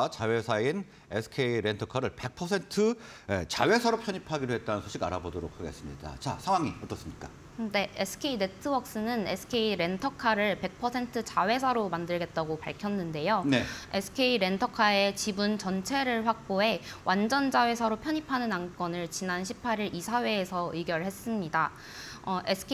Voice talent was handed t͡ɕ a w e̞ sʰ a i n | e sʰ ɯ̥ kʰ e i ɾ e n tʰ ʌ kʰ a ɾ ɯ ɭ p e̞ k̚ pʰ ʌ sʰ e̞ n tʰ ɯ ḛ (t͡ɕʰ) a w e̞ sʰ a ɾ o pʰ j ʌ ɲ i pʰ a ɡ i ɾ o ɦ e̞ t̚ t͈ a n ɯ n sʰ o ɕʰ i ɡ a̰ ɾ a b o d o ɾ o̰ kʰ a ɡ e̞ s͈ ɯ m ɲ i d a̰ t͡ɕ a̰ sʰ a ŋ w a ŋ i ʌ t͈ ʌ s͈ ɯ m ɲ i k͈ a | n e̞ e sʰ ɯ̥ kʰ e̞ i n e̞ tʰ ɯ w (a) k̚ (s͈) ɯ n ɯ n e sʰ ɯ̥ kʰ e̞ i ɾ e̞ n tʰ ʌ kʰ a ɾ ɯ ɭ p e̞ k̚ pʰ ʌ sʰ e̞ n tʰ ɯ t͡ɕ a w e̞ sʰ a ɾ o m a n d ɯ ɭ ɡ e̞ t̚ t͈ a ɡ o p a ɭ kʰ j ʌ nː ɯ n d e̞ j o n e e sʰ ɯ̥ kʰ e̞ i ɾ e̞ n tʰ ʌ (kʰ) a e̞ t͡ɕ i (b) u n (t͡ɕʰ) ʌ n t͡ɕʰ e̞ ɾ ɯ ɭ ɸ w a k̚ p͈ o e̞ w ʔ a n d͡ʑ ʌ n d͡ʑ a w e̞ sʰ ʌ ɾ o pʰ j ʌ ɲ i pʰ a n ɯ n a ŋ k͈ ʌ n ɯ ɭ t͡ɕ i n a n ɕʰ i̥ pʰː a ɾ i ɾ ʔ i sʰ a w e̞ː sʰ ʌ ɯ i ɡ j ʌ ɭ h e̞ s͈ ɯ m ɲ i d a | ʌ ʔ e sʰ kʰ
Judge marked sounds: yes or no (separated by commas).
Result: no, no, yes, yes, yes, no